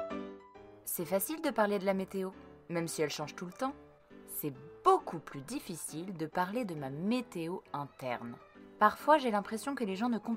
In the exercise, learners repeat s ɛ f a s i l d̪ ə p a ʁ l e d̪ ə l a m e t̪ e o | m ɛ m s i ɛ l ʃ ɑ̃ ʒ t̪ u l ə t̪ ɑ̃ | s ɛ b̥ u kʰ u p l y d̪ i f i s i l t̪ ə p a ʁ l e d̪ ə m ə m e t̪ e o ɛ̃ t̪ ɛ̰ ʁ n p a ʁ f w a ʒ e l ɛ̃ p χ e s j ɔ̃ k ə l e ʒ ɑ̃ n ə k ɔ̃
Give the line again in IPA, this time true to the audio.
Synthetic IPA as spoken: s ɛ f a s i l d̪ ə p a ʁ l e d̪ ə l a m e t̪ e o | m ɛ m s i ɛ l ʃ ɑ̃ ʒ t̪ u l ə t̪ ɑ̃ | s ɛ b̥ o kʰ u p l y d̪ i f i s i l d̪ ə p a ʁ l e d̪ ə m a m e t̪ e o ɛ̃ t̪ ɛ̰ ʁ n p a ʁ f w a ʒ e l ɛ̃ p χ e s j ɔ̃ k ə l e ʒ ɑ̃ n ə k ɔ̃